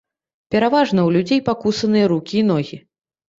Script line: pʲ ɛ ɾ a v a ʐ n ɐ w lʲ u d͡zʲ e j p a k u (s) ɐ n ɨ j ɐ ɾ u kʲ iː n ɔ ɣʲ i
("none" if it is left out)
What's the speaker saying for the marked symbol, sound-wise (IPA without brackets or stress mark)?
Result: s